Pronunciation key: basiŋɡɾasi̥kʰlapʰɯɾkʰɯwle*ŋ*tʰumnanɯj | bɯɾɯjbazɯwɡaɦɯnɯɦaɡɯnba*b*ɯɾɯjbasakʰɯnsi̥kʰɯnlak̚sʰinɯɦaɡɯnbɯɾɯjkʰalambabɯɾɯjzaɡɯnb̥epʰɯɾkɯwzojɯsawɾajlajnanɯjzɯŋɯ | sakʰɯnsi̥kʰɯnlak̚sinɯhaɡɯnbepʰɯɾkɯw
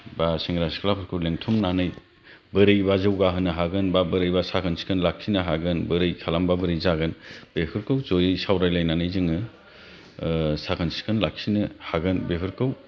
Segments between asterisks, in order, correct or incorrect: correct, correct

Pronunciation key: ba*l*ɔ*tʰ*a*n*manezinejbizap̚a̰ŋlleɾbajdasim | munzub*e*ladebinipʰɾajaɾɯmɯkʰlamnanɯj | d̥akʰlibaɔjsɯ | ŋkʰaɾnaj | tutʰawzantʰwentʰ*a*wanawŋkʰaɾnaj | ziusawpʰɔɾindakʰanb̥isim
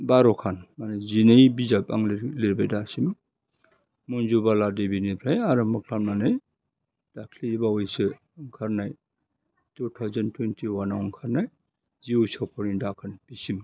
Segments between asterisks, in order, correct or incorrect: incorrect, incorrect, correct, incorrect, incorrect

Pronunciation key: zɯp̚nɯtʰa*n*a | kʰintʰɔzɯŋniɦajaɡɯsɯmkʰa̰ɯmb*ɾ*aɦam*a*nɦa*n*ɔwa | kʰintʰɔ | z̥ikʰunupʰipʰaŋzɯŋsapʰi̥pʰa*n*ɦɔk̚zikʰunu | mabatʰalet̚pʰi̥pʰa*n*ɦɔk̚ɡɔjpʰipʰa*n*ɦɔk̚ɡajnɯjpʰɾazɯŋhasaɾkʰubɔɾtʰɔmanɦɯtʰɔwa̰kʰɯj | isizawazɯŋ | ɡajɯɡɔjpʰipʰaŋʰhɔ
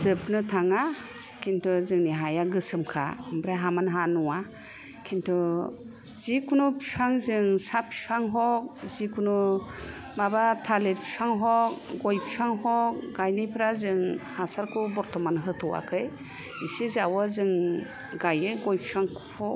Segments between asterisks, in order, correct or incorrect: incorrect, correct, correct, correct, incorrect, incorrect, incorrect

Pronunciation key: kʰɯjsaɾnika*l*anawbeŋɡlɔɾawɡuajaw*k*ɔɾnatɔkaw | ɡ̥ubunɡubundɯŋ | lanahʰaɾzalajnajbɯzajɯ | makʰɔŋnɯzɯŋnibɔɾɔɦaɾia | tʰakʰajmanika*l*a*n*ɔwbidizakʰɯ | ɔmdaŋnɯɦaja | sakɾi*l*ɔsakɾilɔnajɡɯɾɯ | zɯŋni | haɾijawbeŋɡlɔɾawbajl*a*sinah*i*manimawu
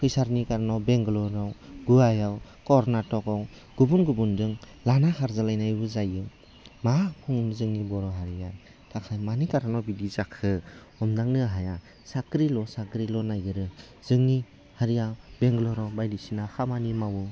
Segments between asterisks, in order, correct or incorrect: incorrect, correct, incorrect, correct, correct, incorrect, incorrect

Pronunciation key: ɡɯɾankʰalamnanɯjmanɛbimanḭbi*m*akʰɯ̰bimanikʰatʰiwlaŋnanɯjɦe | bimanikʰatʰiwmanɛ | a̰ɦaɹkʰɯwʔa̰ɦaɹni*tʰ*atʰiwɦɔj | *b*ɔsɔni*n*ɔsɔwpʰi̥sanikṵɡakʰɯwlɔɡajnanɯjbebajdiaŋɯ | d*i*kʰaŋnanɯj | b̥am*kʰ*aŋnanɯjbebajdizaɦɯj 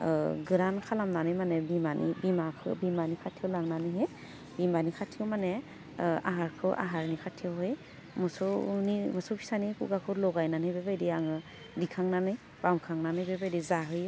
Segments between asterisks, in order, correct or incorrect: correct, incorrect, incorrect, incorrect, correct, correct

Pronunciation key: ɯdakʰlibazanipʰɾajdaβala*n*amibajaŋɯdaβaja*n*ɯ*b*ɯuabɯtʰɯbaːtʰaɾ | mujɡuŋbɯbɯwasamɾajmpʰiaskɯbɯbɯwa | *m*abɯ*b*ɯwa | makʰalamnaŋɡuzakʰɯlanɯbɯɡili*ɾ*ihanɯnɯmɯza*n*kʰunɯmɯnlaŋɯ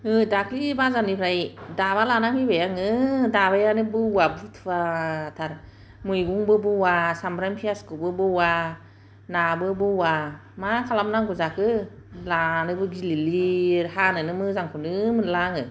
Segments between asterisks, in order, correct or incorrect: correct, correct, correct, incorrect, correct, incorrect, incorrect

